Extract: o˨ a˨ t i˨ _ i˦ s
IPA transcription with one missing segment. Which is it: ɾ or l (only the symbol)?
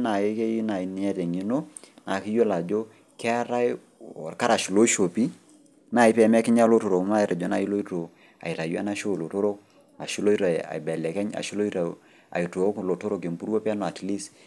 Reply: l